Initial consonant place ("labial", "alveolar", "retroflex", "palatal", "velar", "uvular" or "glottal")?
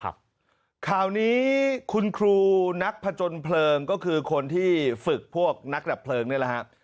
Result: velar